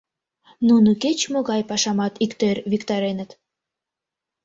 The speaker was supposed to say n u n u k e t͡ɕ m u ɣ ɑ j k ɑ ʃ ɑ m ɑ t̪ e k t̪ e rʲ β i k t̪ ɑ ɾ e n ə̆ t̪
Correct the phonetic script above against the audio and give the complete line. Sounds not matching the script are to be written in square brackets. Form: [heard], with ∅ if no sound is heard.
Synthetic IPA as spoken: n u n u k e t͡ɕ m [o] ɣ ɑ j [p] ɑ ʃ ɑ m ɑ t̪ [i] k t̪ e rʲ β i k t̪ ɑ ɾ e n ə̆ t̪